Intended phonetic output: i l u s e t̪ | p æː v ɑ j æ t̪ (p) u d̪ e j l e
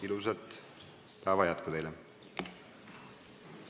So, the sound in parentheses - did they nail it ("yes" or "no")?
no